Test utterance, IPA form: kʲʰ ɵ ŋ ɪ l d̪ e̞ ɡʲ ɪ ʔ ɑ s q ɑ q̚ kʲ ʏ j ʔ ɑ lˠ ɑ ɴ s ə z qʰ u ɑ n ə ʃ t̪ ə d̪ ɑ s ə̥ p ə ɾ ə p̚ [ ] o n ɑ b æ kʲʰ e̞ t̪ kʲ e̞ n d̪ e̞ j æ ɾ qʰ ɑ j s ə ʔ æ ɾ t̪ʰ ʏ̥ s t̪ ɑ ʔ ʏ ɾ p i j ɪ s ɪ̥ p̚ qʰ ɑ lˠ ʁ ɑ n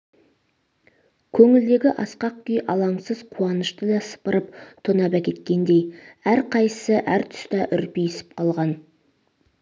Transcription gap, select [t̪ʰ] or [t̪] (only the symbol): t̪ʰ